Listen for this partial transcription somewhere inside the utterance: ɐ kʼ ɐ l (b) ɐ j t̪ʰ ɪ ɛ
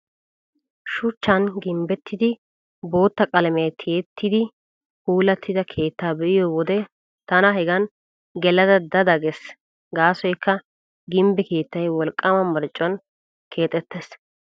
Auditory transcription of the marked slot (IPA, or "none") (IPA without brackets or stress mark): m